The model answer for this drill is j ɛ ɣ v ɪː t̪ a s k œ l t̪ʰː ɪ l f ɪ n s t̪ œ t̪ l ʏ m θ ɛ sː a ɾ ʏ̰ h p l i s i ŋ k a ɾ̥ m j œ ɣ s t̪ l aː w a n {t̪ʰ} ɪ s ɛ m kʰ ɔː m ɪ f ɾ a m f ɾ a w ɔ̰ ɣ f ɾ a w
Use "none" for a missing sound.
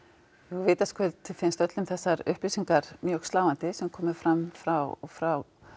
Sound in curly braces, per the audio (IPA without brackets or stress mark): t̪